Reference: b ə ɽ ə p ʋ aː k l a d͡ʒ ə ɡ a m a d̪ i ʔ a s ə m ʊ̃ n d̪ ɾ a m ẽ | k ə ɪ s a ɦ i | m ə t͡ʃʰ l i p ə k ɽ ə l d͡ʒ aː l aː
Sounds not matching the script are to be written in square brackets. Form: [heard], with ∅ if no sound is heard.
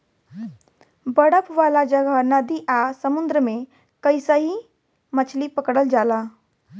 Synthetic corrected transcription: b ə ɽ ə p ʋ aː [∅] l a d͡ʒ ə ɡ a [n] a d̪ i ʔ a s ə m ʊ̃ n d̪ ɾ [ə] m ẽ | k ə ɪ s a ɦ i | m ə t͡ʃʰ l i p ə k ɽ ə l d͡ʒ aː l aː